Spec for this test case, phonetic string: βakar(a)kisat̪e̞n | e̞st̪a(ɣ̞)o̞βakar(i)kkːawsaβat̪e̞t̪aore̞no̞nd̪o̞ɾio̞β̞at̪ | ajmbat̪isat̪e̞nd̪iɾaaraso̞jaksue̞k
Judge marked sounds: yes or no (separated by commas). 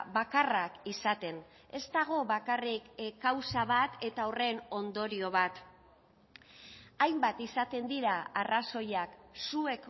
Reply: yes, yes, yes